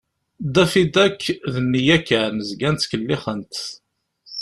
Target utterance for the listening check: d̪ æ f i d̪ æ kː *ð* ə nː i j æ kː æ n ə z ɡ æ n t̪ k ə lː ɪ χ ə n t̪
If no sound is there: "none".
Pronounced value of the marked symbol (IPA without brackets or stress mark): ð